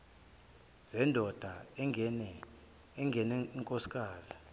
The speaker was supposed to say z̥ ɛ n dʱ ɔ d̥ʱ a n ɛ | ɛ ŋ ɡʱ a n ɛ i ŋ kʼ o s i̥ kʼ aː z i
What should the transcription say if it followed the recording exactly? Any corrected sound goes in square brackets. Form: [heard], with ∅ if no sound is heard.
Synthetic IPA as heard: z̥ ɛ n dʱ ɔ d̥ʱ a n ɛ | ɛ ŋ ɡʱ [ɛ] n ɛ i ŋ kʼ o s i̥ kʼ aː z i